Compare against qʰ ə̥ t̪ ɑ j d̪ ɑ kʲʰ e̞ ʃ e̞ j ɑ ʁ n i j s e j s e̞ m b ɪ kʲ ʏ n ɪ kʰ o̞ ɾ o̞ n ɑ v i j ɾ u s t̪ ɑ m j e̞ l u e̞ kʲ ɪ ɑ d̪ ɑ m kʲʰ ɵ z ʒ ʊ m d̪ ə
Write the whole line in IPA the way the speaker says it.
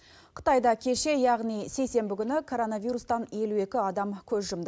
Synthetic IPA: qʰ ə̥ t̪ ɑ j d̪ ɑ kʲʰ e̞ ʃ e̞ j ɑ ʁ n i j s e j s e̞ m b ɪ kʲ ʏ n ɪ kʰ o̞ ɾ o̞ n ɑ v i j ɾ u s t̪ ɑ n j e̞ l u e̞ kʲ ɪ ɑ d̪ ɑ m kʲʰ ɵ z ʒ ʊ m d̪ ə